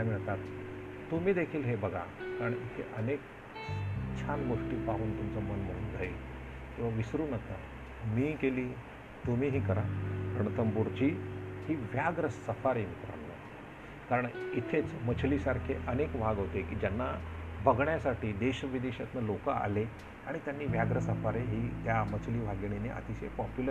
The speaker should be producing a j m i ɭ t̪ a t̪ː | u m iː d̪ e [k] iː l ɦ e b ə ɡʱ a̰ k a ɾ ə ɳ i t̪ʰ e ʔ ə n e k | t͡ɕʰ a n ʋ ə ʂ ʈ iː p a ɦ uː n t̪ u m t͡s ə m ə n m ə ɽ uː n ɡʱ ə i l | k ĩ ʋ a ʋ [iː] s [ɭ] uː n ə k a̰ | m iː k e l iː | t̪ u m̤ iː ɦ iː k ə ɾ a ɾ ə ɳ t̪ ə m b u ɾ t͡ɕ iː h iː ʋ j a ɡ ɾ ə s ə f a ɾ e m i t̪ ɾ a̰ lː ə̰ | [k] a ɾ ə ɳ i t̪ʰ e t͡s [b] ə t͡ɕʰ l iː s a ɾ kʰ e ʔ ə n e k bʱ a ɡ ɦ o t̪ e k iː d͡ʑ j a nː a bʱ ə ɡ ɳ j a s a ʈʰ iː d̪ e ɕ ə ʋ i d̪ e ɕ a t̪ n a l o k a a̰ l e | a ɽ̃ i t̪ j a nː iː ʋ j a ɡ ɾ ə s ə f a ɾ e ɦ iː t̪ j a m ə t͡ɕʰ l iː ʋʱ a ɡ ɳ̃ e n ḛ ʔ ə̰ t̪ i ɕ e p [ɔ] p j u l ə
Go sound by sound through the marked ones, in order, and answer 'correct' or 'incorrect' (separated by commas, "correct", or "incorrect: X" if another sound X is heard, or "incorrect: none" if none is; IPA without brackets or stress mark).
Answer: incorrect: kʰ, incorrect: i, incorrect: ɾ, correct, incorrect: m, correct